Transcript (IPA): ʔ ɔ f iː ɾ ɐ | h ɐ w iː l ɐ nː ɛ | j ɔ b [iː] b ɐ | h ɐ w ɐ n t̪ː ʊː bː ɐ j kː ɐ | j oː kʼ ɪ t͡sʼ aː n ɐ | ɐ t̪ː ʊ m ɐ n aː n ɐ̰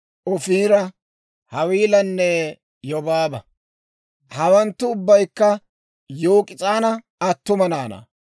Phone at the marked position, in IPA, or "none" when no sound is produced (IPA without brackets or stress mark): aː